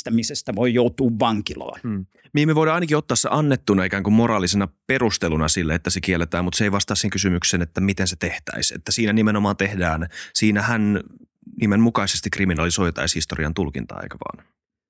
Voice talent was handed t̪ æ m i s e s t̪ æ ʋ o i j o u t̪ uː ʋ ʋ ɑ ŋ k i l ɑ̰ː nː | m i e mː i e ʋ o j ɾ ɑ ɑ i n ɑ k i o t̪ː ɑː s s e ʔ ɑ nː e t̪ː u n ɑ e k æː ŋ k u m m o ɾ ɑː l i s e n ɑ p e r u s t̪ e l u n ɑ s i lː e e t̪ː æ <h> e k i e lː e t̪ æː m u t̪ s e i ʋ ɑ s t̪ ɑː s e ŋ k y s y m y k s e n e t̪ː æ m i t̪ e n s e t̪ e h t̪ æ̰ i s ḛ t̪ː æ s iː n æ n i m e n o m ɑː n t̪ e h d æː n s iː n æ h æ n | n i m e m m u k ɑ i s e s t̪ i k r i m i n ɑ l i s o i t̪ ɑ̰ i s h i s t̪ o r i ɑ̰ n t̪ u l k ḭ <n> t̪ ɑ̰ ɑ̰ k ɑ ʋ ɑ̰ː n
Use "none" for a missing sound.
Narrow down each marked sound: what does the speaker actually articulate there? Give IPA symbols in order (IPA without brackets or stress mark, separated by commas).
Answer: s, n